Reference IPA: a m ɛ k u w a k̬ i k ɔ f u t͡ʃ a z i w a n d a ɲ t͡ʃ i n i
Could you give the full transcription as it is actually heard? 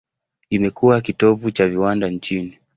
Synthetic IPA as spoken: i m ɛ k u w a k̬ i t ɔ v u t͡ʃ a v i w a n d a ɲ t͡ʃ i n i